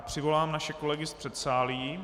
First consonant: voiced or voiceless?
voiceless